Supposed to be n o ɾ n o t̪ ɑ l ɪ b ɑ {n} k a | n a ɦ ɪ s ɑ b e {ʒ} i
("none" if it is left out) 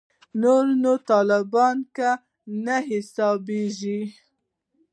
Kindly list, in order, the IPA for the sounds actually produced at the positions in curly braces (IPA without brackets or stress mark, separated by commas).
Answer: n, ʒ